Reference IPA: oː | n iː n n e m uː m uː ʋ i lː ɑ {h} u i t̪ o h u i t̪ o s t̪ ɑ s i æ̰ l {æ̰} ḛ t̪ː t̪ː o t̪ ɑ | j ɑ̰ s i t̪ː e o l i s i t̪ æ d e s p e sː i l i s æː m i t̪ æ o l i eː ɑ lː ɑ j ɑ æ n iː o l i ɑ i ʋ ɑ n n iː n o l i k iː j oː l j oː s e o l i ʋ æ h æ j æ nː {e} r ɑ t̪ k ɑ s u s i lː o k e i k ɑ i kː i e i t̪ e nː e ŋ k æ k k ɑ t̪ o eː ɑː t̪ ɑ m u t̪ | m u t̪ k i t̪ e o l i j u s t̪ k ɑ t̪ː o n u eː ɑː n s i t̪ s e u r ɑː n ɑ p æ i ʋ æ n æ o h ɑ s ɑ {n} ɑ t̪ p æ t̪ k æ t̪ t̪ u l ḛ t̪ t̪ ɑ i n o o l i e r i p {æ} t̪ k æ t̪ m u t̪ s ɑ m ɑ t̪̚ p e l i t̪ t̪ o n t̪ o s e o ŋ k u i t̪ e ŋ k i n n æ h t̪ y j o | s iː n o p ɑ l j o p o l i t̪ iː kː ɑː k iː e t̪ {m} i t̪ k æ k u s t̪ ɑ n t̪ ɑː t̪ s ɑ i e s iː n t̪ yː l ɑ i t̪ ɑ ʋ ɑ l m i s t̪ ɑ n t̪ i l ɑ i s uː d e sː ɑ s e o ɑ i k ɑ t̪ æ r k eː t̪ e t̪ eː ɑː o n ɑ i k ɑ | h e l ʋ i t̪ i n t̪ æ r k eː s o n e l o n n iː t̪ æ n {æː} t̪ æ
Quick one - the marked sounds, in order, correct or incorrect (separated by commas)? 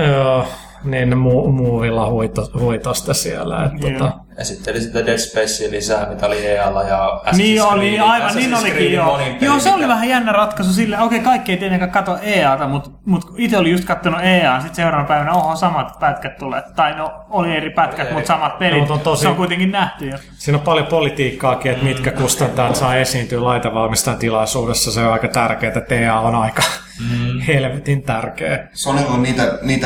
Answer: correct, correct, incorrect, incorrect, correct, correct, incorrect